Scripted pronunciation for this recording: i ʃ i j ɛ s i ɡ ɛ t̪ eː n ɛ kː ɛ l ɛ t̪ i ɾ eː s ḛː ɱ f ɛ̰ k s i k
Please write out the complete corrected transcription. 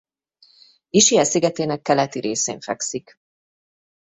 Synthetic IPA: i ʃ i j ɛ s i ɡ ɛ t̪ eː n ɛ kː ɛ l ɛ t̪ i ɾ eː s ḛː ɱ f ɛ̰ k s i k